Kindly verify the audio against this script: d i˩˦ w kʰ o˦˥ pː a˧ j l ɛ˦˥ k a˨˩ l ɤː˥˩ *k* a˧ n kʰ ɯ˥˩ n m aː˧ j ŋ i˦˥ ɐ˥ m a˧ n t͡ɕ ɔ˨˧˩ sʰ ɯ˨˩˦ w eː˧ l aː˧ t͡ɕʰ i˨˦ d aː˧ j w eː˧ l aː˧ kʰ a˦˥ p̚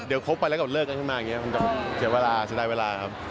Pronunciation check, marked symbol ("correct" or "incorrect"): correct